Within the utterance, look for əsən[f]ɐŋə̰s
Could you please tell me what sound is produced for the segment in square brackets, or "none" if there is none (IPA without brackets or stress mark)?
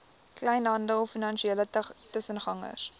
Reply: χ